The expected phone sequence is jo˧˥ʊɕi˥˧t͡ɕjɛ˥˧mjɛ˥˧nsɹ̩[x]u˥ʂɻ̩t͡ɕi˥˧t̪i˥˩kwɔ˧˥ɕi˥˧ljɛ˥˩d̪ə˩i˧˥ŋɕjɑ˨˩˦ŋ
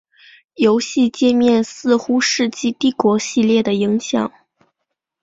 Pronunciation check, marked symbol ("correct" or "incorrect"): correct